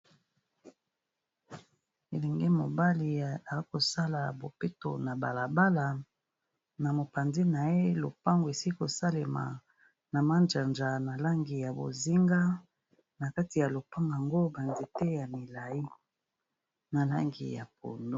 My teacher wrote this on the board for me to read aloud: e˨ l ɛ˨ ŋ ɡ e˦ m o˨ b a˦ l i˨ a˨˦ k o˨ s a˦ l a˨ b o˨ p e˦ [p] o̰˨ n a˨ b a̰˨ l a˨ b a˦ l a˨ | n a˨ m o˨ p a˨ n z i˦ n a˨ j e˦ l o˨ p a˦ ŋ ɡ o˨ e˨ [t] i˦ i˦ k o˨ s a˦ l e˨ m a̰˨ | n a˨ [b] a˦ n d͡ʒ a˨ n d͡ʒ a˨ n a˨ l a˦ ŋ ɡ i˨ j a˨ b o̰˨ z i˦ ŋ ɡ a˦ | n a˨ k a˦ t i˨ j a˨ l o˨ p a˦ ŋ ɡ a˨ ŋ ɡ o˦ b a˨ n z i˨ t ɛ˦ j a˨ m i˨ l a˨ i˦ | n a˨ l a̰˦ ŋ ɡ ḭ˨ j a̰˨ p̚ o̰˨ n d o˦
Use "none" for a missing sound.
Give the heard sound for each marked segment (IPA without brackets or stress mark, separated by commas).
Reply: t, s, m